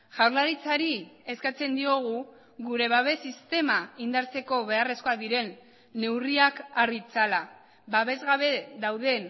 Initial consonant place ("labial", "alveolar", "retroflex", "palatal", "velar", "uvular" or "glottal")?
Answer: palatal